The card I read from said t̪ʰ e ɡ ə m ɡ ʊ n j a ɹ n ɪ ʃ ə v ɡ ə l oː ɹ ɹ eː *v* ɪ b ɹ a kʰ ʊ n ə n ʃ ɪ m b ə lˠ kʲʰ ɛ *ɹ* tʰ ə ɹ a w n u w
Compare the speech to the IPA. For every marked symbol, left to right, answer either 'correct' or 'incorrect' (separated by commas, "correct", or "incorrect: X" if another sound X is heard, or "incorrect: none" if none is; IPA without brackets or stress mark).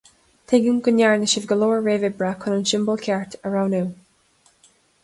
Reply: correct, correct